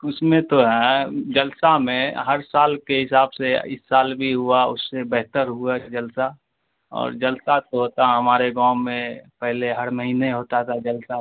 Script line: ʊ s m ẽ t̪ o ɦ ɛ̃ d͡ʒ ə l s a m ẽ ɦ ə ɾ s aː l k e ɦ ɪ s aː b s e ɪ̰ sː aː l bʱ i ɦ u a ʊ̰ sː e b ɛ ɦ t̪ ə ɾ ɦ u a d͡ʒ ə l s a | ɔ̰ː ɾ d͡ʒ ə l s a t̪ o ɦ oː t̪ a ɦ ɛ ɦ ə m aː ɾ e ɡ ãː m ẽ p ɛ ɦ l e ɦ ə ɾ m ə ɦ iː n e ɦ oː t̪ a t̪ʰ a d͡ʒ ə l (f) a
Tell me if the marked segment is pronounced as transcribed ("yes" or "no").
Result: no